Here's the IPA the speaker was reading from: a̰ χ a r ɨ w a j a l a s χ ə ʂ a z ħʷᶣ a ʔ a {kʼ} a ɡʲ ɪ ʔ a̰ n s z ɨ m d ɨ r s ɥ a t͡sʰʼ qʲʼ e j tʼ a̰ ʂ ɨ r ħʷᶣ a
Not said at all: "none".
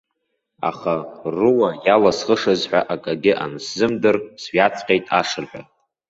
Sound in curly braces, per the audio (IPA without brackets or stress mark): kʼ